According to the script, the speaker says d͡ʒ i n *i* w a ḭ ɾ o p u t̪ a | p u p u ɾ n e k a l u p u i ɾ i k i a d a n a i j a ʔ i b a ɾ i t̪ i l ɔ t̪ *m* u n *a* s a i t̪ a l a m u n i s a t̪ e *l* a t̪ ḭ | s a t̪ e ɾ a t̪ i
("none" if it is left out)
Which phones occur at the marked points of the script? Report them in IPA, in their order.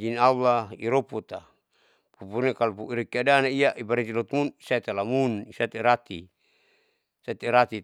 a, m, i, ɾ

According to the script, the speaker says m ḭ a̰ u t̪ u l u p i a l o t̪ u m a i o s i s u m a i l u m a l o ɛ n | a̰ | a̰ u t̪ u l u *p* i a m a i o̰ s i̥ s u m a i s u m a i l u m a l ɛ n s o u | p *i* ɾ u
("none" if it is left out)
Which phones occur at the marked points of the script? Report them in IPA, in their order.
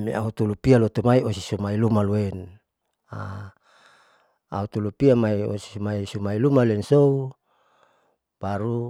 p, a

